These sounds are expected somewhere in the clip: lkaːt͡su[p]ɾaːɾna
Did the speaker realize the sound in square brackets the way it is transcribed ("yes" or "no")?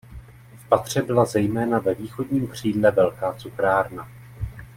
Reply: no